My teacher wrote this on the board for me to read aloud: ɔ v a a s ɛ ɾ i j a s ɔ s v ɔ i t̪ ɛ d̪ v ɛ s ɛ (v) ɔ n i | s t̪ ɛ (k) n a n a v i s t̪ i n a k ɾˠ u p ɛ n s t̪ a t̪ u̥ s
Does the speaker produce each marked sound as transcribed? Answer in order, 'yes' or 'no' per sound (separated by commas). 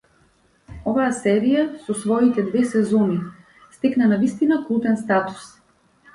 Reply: no, yes